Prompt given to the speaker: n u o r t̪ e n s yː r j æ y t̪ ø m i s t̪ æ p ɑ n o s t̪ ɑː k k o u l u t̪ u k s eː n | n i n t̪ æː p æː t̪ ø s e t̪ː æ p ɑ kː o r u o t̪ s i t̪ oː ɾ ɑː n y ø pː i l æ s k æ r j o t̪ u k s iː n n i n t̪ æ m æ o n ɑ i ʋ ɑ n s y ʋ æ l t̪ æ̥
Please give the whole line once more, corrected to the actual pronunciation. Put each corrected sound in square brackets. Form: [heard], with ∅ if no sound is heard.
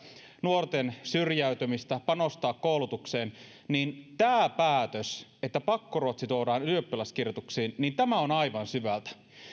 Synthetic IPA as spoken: n u o r t̪ e n s [y] r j æ y t̪ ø m i s t̪ æ p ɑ n o s t̪ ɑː k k o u l u t̪ u k s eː n | n i n t̪ æː p æː t̪ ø s e t̪ː æ p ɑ kː o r u o t̪ s i t̪ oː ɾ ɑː n y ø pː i l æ s k [i] r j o t̪ u k s iː n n i n t̪ æ m æ o n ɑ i ʋ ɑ n s y ʋ æ l t̪ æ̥